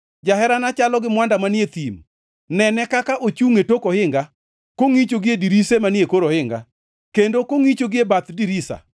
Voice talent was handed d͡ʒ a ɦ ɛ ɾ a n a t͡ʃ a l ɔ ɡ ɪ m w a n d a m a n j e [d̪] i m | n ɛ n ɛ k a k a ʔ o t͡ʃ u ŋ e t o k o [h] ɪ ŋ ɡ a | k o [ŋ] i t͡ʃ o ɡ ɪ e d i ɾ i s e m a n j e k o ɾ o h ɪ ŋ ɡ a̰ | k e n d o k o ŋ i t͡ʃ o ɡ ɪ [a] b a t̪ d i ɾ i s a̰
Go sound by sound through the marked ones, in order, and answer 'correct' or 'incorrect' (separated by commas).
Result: incorrect, correct, correct, incorrect